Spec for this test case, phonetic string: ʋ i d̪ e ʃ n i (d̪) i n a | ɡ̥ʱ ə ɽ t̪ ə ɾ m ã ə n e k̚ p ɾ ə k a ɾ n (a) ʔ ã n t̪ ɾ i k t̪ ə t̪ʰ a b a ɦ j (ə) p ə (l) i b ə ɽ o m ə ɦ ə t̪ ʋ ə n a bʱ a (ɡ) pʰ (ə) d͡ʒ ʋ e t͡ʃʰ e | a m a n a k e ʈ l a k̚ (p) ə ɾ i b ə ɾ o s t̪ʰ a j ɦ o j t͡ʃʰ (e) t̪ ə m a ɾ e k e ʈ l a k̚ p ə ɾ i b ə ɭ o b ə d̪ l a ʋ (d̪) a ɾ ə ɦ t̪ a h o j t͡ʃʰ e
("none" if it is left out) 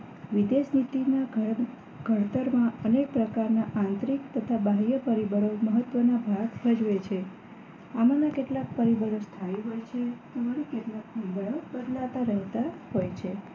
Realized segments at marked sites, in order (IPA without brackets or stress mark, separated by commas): t̪, a, ə, ɾ, ɡ, ə, p, e, t̪